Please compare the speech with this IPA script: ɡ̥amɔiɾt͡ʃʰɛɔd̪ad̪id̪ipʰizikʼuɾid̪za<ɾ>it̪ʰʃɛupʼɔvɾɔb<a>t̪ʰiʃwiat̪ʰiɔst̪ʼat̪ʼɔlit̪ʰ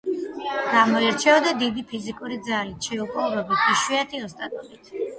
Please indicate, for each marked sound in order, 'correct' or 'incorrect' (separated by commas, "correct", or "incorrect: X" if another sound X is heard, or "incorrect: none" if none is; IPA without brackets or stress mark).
incorrect: l, incorrect: i